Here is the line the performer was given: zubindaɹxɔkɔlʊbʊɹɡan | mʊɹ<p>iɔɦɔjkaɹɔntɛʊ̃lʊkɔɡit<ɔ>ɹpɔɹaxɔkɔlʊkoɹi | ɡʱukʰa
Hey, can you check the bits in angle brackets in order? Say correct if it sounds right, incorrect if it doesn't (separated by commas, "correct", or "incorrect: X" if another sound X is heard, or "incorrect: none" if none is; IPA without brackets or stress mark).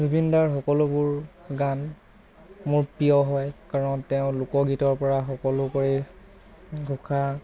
correct, correct